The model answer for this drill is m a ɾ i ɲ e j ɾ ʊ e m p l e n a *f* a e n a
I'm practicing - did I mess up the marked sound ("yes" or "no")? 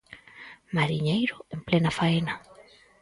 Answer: no